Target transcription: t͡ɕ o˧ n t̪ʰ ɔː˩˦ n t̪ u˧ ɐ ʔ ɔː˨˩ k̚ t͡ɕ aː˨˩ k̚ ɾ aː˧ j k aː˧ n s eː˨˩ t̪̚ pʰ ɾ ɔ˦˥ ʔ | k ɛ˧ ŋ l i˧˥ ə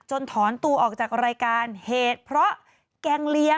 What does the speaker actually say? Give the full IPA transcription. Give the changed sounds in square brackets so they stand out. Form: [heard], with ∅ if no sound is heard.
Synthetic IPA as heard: t͡ɕ o˧ n t̪ʰ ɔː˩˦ n t̪ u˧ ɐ ʔ ɔː˨˩ k̚ t͡ɕ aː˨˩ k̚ ɾ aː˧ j k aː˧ n [h] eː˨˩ t̪̚ pʰ ɾ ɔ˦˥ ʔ | k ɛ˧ ŋ l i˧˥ ə